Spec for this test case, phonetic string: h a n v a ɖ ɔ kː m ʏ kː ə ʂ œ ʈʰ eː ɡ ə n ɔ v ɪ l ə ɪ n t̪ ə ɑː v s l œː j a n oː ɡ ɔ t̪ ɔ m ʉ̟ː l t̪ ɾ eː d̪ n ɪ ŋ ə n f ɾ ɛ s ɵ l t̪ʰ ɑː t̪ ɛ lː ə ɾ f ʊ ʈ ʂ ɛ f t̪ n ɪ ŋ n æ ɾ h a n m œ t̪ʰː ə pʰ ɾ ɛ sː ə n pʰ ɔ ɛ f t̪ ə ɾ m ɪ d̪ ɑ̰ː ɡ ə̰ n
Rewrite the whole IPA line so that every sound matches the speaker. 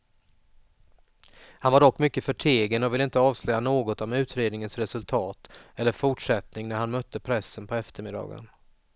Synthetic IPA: h a n v a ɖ ɔ kː m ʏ kː ə f œ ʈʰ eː ɡ ə n ɔ v ɪ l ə ɪ n t̪ ə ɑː v s l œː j a n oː ɡ ɔ t̪ ɔ m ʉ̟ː t̪ ɾ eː d̪ n ɪ ŋ ə n s ɾ ɛ s ɵ l t̪ʰ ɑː t̪ ɛ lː ə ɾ f ʊ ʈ ʂ ɛ t̪ n ɪ ŋ n æ ɾ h a n m œ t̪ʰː ə pʰ ɾ ɛ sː ə n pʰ ɔ ɛ f t̪ ə ɾ m ɪ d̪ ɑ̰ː ɡ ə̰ n